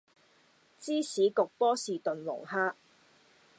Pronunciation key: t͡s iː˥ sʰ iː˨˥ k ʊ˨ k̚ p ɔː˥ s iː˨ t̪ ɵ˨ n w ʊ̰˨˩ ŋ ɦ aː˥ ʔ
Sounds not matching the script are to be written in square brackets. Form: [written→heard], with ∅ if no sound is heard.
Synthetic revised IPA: t͡s iː˥ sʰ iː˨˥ k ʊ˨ k̚ p ɔː˥ s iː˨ t̪ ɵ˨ n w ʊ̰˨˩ ŋ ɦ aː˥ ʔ